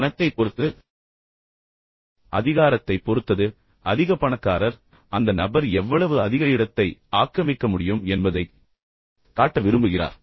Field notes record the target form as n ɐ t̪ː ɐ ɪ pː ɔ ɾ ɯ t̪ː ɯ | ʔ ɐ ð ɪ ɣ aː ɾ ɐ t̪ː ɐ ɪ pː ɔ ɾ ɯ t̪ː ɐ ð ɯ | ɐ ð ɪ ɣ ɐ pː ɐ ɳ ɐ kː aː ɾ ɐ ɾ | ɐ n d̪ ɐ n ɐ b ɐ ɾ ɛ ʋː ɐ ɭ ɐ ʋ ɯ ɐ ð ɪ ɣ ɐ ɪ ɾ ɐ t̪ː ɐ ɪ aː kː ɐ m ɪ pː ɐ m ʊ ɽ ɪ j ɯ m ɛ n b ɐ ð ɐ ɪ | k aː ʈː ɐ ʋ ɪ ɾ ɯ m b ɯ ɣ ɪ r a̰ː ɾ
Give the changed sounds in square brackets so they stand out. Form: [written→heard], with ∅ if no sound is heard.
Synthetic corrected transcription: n ɐ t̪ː ɐ ɪ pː ɔ ɾ ɯ t̪ː ɯ | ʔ ɐ ð ɪ ɣ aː ɾ ɐ t̪ː ɐ ɪ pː ɔ ɾ ɯ t̪ː ɐ ð ɯ | ɐ ð ɪ ɣ ɐ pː ɐ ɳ ɐ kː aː ɾ ɐ ɾ | ɐ n d̪ ɐ n ɐ b ɐ ɾ ɛ ʋː ɐ ɭ ɐ ʋ ɯ ɐ ð ɪ ɣ ɐ ɪ [ɾ→ɽ] ɐ t̪ː ɐ ɪ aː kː ɐ m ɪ [pː→kː] ɐ m ʊ ɽ ɪ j ɯ m ɛ n b ɐ ð ɐ ɪ | k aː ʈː ɐ ʋ ɪ ɾ ɯ m b ɯ ɣ ɪ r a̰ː ɾ